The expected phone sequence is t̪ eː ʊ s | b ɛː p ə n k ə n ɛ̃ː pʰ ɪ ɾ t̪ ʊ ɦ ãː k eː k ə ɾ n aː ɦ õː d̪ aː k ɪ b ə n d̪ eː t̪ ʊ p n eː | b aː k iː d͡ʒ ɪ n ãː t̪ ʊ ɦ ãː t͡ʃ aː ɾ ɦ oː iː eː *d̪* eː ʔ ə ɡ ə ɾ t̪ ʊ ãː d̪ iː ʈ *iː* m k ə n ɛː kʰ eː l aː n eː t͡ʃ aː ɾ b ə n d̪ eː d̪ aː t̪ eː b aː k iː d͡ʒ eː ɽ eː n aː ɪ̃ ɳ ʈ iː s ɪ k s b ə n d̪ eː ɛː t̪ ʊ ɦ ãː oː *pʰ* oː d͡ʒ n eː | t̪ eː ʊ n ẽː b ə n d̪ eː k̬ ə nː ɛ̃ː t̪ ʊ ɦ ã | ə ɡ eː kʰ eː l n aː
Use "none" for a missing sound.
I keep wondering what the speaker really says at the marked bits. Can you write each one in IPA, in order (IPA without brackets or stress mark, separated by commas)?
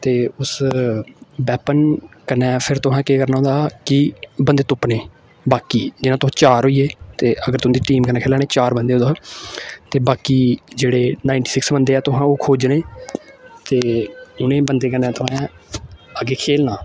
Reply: t̪, iː, kʰ